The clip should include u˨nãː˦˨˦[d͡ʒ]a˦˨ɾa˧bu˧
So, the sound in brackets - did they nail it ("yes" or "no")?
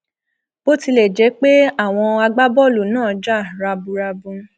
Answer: yes